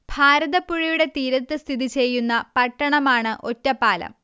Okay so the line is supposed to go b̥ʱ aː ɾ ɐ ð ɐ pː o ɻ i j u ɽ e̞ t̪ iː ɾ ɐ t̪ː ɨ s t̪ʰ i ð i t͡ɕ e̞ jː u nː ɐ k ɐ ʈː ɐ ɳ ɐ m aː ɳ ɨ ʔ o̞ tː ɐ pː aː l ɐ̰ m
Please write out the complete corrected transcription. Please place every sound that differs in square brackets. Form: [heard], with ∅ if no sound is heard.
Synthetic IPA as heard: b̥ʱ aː ɾ ɐ ð ɐ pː [u] ɻ i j u ɽ e̞ t̪ iː ɾ ɐ t̪ː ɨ s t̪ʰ i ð i t͡ɕ e̞ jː u nː ɐ [p] ɐ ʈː ɐ ɳ ɐ m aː ɳ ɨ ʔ o̞ tː ɐ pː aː l ɐ̰ m